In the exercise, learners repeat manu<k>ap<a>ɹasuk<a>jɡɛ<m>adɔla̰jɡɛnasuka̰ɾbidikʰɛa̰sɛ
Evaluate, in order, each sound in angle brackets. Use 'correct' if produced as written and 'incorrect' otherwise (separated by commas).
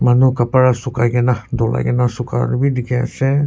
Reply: correct, correct, correct, incorrect